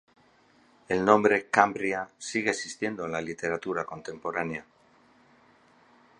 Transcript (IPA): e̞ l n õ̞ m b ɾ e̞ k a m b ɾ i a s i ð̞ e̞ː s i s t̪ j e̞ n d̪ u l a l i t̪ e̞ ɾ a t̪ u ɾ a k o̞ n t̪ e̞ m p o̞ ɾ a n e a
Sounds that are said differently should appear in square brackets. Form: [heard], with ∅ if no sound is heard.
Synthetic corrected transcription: e̞ l n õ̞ m b ɾ e̞ k a m b ɾ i a s i [ɣ̞] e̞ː s i s t̪ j e̞ n d̪ [o] l a l i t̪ e̞ ɾ a t̪ u ɾ a k o̞ n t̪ e̞ m p o̞ ɾ a n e a